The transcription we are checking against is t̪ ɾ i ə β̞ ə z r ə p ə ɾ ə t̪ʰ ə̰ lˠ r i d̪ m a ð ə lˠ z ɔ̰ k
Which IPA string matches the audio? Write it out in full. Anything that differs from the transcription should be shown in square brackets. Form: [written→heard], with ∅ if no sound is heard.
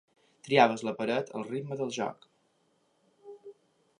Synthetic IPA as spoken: t̪ ɾ i [ə→a] β̞ ə z [r→l] ə p ə ɾ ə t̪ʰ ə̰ lˠ r i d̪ m [a→ə] ð ə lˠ [z→ʒ] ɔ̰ k